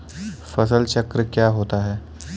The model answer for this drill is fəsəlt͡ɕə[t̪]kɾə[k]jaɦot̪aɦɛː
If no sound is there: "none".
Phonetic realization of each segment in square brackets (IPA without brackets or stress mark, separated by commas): none, k